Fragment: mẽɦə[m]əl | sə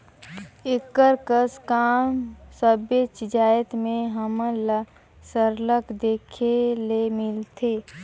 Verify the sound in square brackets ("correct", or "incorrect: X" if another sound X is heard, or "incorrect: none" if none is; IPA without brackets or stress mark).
correct